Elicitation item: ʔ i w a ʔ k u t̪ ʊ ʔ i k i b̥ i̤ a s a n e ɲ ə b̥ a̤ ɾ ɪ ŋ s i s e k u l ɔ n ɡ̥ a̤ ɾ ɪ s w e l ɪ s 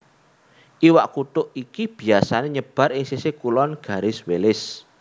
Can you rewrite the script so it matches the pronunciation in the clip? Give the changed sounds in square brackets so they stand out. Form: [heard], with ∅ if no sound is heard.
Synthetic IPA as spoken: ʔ i w a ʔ k u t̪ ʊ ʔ i k i b̥ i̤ a s a n e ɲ ə b̥ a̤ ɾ ɪ ŋ s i s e k u l ɔ n ɡ̥ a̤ ɾ ɪ s w e l ɪ s